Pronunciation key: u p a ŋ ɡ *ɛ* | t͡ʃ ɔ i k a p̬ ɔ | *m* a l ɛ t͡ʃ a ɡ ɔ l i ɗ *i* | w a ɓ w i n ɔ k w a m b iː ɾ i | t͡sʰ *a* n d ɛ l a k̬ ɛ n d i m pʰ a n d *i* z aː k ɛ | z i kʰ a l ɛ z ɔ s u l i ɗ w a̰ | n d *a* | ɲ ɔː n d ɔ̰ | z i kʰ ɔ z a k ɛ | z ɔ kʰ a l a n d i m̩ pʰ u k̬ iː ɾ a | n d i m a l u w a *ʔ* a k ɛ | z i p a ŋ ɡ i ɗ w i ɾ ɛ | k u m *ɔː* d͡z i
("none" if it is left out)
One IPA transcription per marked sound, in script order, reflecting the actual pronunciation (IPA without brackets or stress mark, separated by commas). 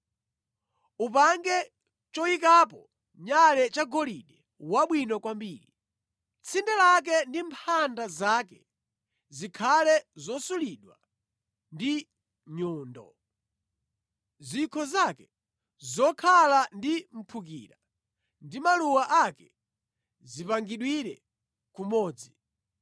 ɛ, ɲ, ɛ, i, a, i, ʔ, ɔː